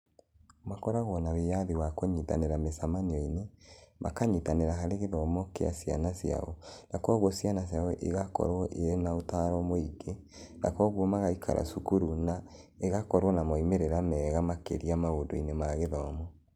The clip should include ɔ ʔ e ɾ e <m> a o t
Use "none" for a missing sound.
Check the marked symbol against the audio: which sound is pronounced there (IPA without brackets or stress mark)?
n